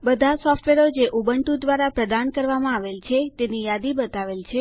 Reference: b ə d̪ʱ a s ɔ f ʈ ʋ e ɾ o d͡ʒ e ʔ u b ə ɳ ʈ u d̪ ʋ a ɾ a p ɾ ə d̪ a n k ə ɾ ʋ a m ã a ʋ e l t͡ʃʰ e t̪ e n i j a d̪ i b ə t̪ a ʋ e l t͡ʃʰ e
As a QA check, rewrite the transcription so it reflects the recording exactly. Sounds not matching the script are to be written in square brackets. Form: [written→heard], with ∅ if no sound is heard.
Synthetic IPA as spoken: b ə d̪ʱ a s ɔ f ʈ ʋ e ɾ o d͡ʒ e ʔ u b ə ɳ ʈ u d̪ ʋ a ɾ a p ɾ ə d̪ a n k ə ɾ ʋ a m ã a ʋ e l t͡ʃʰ e t̪ e n i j a d̪ i b ə t̪ a ʋ e l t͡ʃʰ e

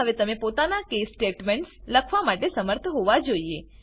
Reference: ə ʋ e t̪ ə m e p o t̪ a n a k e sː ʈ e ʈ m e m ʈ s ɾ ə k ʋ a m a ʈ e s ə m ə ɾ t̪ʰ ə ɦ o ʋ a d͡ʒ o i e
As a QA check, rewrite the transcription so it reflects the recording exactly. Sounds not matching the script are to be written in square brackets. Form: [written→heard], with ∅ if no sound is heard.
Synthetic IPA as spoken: ə ʋ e t̪ ə m e p o t̪ a n a k e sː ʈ e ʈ m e [m→ɳ] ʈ s [ɾ→l] ə [k→kʰ] ʋ a m a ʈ e s ə m ə ɾ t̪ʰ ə ɦ o ʋ a d͡ʒ o i e

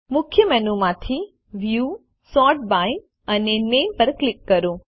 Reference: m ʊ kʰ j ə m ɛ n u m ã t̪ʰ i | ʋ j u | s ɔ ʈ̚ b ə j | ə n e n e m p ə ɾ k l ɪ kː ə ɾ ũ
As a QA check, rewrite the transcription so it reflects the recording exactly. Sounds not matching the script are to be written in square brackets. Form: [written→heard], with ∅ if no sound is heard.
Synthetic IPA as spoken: m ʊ kʰ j ə m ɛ n u m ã t̪ʰ i | ʋ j u | s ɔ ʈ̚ b [ə→a] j | ə n e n e m p ə ɾ k l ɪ kː ə ɾ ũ

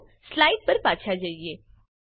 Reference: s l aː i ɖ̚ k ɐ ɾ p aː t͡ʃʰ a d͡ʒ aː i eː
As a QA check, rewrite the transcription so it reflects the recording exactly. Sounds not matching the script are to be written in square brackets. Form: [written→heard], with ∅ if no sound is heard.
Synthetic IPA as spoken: s l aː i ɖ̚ [k→p] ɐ ɾ p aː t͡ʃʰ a d͡ʒ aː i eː

